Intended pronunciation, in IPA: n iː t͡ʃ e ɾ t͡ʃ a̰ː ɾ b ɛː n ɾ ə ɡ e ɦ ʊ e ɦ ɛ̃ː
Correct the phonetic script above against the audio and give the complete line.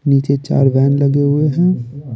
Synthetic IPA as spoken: n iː t͡ʃ e t͡ʃ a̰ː ɾ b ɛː n l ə ɡ e ɦ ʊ e ɦ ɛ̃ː